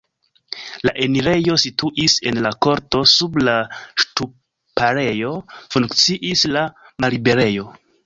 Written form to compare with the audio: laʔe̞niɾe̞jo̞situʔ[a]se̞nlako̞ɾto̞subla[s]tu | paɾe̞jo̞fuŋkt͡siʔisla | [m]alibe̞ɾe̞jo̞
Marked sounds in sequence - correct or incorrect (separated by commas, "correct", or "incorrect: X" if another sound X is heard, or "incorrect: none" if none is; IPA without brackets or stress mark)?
incorrect: i, incorrect: ʃ, correct